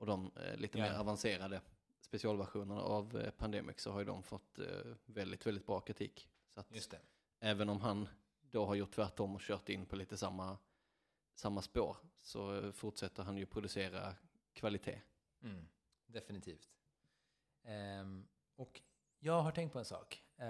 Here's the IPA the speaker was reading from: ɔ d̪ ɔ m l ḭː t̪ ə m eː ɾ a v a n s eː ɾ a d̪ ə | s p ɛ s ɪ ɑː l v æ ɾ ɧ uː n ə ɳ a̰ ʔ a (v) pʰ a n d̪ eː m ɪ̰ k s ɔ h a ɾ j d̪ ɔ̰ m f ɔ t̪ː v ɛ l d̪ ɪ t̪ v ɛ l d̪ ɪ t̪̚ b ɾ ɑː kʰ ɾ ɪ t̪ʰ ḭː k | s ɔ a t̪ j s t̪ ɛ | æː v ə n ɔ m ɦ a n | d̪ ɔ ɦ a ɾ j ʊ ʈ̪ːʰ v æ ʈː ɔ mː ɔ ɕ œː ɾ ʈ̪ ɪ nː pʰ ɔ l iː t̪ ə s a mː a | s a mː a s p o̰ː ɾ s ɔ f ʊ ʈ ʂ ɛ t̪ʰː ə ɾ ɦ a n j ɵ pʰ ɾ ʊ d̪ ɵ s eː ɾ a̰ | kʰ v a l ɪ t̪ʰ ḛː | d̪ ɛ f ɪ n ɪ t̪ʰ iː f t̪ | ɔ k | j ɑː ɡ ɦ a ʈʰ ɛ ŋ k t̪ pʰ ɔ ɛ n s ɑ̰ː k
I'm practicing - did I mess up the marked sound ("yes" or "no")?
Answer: no